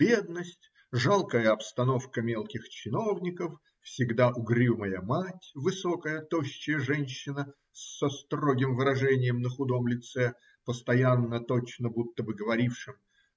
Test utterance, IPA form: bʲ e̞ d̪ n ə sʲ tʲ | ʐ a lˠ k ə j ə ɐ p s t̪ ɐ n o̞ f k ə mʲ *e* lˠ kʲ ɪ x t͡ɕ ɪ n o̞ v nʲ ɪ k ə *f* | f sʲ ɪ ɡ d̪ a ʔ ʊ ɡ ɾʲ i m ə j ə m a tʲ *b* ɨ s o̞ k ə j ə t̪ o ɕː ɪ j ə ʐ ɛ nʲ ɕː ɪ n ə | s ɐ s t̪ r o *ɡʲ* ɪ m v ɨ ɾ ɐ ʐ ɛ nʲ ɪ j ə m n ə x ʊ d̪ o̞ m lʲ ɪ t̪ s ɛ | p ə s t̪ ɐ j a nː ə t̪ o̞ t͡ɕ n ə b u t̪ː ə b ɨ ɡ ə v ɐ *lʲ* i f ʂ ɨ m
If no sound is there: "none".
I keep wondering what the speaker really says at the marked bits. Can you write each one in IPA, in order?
e, f, v, ɡʲ, ɾʲ

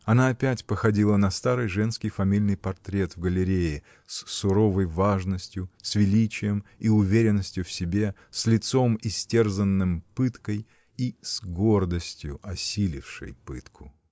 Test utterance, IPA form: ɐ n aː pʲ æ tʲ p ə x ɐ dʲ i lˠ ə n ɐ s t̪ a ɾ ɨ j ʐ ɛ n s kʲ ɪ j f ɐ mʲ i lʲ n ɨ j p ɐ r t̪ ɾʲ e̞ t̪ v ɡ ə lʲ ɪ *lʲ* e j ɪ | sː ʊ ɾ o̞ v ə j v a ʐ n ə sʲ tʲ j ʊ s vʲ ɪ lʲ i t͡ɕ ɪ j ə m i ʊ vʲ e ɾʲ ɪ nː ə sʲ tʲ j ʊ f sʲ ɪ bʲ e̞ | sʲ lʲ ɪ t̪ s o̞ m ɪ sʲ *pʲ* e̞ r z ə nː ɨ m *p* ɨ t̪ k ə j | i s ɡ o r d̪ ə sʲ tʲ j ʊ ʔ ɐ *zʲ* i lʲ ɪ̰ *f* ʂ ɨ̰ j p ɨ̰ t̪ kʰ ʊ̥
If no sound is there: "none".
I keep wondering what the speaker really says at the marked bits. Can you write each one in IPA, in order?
ɾʲ, tʲ, p, sʲ, f

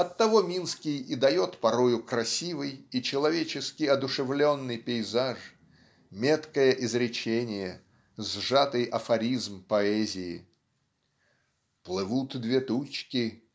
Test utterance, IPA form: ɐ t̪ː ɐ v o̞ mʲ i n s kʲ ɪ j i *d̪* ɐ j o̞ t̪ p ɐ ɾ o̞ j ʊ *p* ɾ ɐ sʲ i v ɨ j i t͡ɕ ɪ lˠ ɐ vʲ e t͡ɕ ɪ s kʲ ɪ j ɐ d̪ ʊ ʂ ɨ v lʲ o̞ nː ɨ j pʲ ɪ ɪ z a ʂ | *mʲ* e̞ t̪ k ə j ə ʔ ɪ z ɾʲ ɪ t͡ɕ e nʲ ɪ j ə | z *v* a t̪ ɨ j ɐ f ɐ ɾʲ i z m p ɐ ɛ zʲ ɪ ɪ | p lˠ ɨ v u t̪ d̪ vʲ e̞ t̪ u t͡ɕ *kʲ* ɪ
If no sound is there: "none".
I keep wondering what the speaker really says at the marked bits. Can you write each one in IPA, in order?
d̪, k, mʲ, ʐ, kʲ

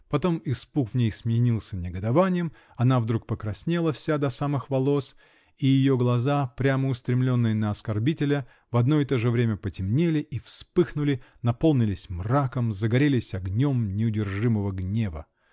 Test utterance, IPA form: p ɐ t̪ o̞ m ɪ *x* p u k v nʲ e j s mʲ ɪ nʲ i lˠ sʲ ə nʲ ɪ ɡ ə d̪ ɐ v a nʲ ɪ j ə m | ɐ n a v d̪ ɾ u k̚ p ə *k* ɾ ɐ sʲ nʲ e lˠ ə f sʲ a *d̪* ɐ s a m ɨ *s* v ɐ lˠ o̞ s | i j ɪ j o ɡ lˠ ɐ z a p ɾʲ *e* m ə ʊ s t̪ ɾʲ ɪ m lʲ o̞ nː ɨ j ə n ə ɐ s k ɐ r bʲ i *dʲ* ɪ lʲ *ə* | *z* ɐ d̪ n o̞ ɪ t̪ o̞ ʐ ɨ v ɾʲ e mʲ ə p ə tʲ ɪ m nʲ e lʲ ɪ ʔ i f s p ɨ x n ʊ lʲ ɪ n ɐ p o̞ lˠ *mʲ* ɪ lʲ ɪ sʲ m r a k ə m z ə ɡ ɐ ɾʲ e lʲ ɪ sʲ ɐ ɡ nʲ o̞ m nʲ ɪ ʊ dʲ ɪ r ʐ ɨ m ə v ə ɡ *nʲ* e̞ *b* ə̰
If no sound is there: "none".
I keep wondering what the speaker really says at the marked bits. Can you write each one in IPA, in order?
s, k, d̪, x, a, tʲ, ə, v, nʲ, nʲ, v

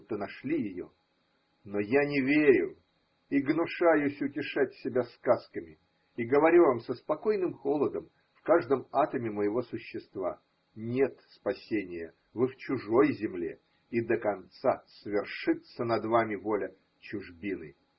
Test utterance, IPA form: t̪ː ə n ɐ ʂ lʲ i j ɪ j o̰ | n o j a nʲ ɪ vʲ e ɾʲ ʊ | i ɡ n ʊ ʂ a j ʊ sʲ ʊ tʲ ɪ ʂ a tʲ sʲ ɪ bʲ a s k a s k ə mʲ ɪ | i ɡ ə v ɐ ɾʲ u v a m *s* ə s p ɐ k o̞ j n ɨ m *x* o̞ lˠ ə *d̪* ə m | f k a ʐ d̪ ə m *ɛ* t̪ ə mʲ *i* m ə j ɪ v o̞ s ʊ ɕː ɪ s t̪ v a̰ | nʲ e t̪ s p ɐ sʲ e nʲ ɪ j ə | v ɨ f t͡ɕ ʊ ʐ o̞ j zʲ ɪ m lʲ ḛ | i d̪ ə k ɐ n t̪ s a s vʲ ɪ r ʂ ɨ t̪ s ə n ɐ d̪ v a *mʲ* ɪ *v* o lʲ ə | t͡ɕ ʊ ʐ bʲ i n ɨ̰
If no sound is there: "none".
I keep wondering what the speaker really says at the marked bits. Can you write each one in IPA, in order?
s, x, d̪, a, ɪ, mʲ, v

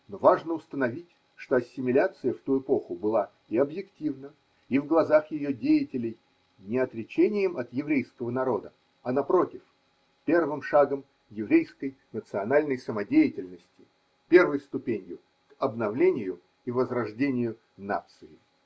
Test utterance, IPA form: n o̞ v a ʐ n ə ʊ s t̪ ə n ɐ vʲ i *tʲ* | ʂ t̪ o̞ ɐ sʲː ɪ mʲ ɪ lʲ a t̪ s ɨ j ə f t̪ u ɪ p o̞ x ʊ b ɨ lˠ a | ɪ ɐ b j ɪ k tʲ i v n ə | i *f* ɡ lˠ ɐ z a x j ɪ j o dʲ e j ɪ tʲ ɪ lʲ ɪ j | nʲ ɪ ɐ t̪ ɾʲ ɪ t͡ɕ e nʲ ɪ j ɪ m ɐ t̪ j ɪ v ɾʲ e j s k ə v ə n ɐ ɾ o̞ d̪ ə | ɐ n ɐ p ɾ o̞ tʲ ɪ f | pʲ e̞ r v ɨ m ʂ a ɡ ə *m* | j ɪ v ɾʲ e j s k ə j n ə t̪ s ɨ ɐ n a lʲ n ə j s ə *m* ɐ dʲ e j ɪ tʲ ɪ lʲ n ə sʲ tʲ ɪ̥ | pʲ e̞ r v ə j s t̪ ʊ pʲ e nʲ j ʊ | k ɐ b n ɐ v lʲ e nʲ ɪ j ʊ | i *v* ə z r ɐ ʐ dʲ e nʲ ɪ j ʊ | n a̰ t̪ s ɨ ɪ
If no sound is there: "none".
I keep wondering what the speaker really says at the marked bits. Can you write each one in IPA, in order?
tʲ, v, m, m, v

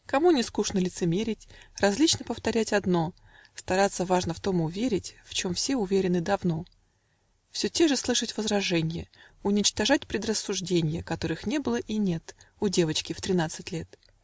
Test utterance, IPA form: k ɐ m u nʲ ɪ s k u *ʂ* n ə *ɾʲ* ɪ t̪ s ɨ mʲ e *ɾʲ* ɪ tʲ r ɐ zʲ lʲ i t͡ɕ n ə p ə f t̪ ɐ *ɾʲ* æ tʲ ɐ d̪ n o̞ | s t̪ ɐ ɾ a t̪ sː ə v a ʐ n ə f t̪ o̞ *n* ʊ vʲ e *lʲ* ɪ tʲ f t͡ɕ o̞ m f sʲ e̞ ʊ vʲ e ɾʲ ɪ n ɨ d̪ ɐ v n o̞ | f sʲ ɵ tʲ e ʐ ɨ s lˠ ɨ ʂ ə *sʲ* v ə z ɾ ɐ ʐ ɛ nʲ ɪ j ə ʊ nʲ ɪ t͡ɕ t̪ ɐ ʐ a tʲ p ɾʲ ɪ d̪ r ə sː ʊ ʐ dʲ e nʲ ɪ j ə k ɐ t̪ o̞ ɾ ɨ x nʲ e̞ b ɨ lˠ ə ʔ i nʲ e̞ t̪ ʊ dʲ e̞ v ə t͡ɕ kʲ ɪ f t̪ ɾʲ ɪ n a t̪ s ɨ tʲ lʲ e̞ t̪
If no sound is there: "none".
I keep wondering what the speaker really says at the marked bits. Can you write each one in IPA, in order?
ʂ, lʲ, ɾʲ, ɾʲ, m, ɾʲ, tʲ

